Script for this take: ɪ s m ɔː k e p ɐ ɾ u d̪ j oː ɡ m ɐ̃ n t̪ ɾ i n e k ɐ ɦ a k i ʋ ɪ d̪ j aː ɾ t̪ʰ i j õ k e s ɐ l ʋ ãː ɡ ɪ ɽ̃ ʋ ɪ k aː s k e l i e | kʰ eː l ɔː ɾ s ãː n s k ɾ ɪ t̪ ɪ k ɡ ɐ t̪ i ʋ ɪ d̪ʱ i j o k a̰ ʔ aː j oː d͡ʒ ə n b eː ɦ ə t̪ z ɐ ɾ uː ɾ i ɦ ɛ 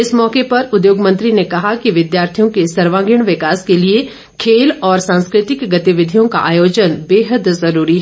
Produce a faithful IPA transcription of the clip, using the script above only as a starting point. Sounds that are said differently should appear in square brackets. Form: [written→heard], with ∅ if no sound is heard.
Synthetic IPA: ɪ s m ɔː k e p ɐ ɾ [u→ʊ] d̪ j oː ɡ m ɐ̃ n t̪ ɾ i n e k ɐ ɦ a k i ʋ ɪ d̪ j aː ɾ t̪ʰ i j õ k e s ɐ [l→ɾ] ʋ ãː ɡ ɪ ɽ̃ ʋ ɪ k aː s k e l i e | kʰ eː l ɔː ɾ s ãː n s k ɾ ɪ t̪ ɪ k ɡ ɐ t̪ i ʋ ɪ d̪ʱ i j [o→õ] k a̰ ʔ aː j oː d͡ʒ ə n b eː ɦ ə [t̪→d̪] z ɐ ɾ uː ɾ i ɦ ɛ